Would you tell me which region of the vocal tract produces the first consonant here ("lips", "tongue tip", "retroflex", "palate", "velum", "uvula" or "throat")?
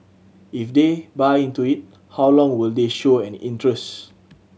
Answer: lips